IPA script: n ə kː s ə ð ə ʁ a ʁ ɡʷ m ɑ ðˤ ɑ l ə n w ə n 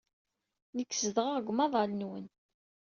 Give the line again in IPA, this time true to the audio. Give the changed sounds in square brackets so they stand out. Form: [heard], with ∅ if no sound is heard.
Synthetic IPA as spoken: n ə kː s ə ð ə ʁ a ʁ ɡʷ m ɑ ðˤ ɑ l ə n w ə n